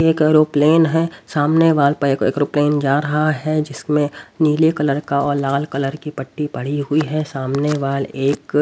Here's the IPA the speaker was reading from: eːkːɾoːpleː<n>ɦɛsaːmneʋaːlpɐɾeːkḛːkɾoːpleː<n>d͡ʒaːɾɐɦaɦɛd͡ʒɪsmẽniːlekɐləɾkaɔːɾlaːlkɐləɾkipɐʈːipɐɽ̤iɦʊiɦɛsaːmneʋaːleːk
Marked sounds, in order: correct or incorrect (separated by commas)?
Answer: correct, correct